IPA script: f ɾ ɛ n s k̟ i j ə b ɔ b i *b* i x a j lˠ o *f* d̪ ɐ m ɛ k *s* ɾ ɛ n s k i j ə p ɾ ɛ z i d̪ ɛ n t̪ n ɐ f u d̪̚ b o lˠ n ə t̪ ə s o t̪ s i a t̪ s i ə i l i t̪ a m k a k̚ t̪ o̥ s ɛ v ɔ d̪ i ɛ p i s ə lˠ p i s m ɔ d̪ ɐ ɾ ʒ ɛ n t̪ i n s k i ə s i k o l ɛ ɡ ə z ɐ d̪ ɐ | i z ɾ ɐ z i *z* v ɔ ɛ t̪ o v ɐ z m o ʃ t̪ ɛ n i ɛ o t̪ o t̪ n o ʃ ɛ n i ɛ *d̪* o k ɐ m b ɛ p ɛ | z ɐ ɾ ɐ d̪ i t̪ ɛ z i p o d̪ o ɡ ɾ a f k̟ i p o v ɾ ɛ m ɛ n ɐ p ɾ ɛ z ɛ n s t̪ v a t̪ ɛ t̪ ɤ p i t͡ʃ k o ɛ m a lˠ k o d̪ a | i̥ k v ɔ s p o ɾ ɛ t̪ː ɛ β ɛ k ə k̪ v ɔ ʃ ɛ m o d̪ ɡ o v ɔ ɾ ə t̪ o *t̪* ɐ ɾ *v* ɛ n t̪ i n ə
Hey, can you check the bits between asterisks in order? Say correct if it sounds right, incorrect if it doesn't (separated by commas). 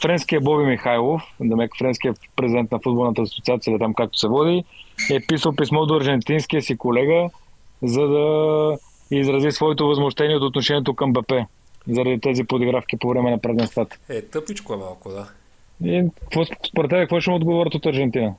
incorrect, correct, incorrect, incorrect, incorrect, correct, incorrect